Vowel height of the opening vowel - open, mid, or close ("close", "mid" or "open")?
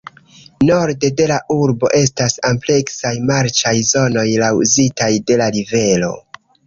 mid